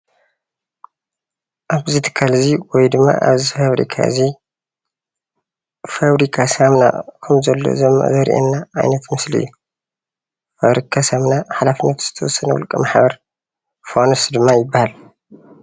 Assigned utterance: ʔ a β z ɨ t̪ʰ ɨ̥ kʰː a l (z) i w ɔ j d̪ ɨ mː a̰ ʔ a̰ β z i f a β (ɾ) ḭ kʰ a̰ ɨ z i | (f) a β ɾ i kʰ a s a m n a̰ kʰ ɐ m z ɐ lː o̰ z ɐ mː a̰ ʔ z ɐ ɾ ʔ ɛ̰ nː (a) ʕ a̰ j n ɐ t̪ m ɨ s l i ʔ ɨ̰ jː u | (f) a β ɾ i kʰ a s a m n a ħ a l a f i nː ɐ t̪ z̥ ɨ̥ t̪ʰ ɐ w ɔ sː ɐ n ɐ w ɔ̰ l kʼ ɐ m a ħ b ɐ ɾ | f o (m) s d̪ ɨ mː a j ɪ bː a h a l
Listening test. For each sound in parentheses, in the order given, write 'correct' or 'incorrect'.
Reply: correct, correct, correct, correct, correct, incorrect: n

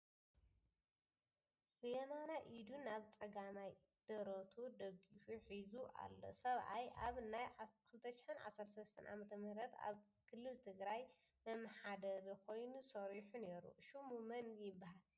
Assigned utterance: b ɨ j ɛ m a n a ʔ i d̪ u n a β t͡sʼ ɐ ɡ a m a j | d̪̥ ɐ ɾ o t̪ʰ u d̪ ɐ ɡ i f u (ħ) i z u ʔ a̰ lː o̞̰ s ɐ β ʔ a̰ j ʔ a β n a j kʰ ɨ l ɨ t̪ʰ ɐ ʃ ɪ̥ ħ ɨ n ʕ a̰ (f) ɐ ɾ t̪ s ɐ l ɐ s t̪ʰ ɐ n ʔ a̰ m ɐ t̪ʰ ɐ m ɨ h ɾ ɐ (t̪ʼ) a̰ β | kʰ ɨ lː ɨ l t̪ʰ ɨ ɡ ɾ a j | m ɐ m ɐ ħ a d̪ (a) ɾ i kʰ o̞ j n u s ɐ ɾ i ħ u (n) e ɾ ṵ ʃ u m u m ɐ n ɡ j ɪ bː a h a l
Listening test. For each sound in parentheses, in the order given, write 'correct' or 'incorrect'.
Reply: correct, incorrect: s, incorrect: t̪, incorrect: ɐ, correct

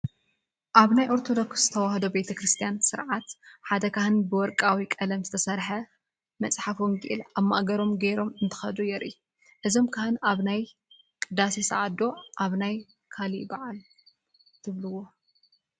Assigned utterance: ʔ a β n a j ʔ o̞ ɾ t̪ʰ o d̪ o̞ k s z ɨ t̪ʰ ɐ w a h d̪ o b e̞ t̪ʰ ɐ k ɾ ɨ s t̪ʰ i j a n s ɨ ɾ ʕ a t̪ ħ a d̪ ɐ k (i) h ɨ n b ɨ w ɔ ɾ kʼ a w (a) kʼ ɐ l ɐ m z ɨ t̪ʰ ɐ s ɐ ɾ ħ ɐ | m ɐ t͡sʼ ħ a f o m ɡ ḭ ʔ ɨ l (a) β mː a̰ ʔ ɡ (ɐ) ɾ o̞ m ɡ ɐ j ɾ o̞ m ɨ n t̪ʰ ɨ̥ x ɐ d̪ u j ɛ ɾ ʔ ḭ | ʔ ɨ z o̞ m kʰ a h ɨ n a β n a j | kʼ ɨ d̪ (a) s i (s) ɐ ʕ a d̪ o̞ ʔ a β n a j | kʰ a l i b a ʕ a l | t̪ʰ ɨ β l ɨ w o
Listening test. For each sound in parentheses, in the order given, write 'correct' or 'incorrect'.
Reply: incorrect: a, incorrect: i, correct, correct, correct, correct

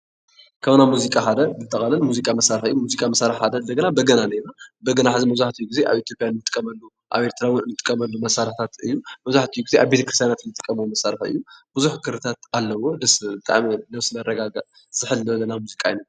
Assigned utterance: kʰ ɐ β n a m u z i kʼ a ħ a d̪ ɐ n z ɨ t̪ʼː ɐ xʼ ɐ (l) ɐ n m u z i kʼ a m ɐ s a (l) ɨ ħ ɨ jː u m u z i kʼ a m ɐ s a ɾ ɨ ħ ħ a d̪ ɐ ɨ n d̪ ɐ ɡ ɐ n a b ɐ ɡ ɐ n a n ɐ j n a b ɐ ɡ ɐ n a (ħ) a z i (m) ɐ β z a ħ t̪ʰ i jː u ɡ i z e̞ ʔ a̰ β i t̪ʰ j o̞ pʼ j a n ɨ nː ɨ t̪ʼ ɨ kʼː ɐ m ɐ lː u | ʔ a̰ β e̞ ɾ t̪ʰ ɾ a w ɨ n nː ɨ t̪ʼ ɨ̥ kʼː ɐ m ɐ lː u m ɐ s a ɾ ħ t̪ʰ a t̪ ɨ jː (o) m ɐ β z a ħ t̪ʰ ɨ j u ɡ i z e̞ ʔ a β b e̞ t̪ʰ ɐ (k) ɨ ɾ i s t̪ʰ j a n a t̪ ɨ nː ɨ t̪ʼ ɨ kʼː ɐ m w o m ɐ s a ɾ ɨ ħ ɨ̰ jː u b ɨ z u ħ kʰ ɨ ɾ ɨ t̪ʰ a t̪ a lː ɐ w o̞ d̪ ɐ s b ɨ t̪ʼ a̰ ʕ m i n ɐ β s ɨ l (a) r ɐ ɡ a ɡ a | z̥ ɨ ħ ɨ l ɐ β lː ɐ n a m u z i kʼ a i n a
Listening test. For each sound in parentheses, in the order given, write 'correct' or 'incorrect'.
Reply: correct, incorrect: ɾ, correct, correct, incorrect: u, correct, incorrect: ɐ

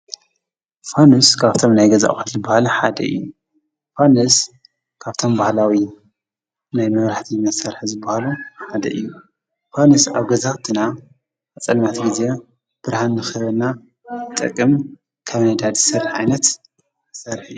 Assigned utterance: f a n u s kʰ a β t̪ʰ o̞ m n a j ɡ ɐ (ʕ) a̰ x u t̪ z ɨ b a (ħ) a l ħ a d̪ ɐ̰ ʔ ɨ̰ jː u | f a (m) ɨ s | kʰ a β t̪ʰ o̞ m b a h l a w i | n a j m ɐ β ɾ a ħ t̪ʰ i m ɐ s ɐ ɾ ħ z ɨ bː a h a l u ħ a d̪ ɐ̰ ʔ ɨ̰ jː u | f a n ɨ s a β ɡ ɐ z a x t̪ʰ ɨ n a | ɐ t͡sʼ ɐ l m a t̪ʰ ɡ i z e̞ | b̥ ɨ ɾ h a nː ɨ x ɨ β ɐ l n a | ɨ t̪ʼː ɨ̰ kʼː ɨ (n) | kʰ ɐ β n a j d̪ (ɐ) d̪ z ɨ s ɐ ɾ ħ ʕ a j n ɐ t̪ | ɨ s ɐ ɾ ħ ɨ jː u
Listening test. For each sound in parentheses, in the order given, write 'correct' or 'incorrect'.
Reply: incorrect: z, incorrect: h, incorrect: n, incorrect: m, incorrect: a

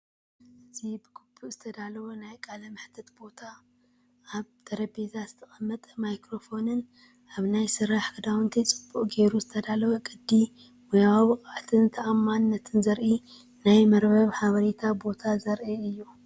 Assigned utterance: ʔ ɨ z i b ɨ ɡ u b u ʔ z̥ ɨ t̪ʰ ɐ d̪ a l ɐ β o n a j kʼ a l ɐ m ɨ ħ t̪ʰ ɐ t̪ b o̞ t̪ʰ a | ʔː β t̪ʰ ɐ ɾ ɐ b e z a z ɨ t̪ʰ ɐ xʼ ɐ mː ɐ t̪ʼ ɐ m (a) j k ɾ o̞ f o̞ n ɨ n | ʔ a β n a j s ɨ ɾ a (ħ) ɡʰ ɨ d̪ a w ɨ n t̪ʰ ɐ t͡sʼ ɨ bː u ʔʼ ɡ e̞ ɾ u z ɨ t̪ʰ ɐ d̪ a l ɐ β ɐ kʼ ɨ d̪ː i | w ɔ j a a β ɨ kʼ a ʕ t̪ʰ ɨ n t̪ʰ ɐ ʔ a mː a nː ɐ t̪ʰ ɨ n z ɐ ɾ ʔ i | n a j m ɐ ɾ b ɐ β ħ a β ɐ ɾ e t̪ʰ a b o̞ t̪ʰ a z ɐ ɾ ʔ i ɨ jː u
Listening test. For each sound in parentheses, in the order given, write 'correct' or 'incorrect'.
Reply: correct, correct

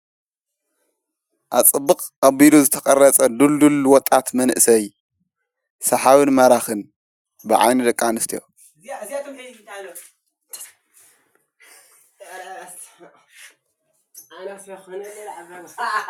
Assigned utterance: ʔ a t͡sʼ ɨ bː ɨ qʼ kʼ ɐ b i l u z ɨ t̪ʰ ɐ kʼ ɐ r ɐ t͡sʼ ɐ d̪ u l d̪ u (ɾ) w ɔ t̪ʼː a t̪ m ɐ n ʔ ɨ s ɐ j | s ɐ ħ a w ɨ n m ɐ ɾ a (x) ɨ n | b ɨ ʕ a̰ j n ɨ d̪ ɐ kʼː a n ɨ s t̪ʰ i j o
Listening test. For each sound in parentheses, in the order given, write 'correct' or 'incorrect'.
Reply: incorrect: l, correct

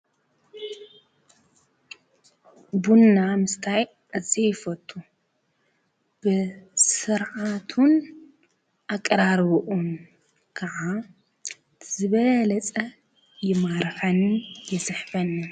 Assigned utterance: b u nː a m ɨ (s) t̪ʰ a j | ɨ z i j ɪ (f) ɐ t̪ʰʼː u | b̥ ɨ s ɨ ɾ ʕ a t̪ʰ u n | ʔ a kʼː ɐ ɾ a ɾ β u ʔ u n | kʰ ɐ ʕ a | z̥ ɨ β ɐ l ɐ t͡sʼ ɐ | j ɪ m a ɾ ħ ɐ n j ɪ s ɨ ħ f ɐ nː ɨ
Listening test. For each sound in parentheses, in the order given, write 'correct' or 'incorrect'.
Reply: correct, correct

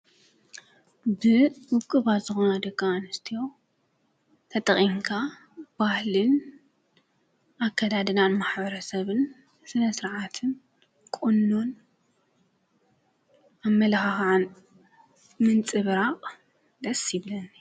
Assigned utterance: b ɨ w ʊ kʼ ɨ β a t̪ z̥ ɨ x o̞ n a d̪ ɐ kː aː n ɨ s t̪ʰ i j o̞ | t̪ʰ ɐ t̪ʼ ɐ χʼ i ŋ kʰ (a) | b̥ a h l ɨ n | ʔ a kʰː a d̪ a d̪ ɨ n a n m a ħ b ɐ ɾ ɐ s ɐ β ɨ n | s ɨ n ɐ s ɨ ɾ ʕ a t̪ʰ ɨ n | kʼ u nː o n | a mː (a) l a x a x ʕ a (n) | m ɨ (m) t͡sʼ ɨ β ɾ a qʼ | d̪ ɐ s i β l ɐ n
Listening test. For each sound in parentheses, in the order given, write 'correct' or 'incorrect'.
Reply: correct, incorrect: ɐ, correct, incorrect: n

